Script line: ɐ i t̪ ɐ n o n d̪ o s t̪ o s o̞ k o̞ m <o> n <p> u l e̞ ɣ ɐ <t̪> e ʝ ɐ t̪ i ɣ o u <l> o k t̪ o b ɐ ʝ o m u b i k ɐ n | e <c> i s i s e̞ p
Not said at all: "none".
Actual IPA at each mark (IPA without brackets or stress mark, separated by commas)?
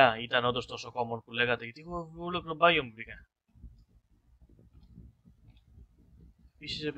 o, p, t̪, l, p